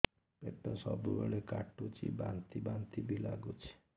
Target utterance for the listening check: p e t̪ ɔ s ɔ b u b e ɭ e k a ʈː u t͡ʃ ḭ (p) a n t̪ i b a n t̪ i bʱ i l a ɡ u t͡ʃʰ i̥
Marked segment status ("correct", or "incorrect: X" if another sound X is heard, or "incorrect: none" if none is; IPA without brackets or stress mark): incorrect: b